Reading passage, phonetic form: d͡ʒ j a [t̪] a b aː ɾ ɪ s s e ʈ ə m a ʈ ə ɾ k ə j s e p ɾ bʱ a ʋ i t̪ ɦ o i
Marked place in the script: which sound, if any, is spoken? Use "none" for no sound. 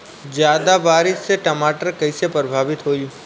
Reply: d̪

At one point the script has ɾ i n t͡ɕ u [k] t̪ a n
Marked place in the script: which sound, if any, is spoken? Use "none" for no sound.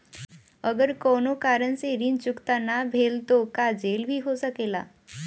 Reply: k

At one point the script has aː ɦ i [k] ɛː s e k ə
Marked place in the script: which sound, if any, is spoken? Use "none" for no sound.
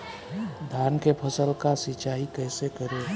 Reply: k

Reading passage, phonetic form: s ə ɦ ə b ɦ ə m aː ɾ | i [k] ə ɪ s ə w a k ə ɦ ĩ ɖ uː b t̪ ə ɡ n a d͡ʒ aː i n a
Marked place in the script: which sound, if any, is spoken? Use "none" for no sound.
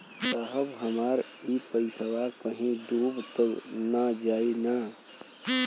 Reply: p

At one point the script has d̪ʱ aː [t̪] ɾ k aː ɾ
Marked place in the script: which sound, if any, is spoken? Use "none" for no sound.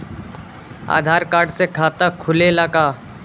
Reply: none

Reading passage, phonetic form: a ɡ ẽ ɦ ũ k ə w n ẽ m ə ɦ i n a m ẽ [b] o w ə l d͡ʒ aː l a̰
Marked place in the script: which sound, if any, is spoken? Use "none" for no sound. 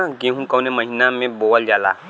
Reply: b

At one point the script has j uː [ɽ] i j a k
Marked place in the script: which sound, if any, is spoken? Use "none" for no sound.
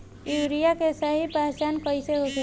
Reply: ɾ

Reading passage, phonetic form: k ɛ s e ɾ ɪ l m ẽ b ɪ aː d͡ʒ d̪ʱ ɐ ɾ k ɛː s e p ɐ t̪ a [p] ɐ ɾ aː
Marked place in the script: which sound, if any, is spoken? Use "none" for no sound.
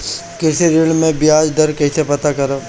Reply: k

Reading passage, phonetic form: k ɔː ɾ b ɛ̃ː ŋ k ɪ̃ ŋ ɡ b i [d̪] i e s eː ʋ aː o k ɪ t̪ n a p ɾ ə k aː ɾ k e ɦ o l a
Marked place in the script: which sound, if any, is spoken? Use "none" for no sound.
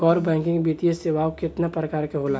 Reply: t̪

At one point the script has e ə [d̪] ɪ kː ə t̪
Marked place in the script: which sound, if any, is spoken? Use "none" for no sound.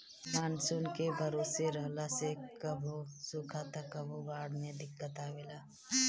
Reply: d̪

